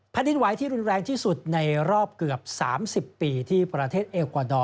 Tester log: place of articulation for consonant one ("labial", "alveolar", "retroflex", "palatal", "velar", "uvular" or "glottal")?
labial